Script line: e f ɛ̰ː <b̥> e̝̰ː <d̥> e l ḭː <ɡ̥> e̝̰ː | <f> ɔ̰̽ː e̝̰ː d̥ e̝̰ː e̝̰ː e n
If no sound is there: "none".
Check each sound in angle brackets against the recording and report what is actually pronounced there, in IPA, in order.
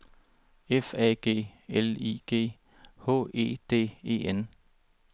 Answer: ɡ̥, none, ɡ̥, h

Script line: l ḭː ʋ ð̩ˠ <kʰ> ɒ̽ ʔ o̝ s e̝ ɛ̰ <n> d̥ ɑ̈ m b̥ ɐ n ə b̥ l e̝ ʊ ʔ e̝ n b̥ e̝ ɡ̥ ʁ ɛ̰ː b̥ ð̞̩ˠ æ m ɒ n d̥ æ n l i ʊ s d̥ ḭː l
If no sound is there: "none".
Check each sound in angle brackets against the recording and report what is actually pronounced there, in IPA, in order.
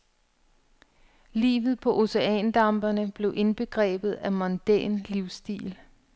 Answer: pʰ, n

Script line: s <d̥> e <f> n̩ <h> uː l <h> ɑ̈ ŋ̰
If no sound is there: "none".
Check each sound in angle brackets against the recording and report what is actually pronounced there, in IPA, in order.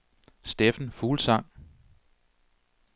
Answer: d̥, f, f, s

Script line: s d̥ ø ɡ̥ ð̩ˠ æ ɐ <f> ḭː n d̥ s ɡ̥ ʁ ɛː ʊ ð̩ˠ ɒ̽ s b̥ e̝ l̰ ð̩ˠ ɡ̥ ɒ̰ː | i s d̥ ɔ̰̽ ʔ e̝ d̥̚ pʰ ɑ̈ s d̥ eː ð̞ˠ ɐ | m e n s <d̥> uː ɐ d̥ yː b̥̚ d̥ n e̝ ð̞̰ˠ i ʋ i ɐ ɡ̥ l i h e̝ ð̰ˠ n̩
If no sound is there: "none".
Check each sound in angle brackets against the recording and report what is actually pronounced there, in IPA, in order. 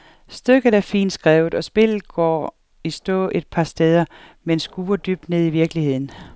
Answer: f, ɡ̥

